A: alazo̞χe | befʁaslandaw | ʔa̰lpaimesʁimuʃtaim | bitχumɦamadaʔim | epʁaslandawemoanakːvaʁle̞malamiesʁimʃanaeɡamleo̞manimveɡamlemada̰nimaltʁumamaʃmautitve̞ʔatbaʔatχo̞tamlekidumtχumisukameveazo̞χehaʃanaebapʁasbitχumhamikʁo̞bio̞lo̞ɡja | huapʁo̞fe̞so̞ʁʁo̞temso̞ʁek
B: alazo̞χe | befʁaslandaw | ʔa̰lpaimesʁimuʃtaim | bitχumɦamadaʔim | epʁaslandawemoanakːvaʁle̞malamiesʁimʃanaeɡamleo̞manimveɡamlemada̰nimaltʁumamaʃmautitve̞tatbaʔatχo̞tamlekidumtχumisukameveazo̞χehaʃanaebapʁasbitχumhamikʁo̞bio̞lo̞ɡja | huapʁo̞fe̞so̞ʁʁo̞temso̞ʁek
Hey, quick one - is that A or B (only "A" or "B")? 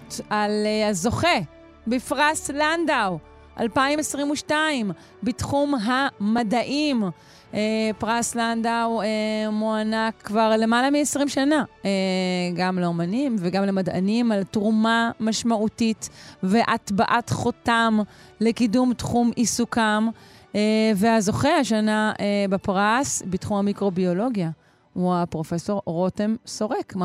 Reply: A